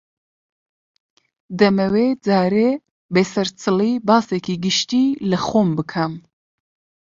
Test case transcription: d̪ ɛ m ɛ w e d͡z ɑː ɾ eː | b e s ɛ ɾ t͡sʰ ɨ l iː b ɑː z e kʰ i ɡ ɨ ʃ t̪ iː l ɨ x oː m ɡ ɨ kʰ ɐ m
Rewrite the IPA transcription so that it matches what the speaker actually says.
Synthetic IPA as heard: d̪ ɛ m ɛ w e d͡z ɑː ɾ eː | b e s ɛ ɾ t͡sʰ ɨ l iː b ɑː s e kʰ i ɡ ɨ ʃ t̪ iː l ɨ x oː m b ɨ kʰ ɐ m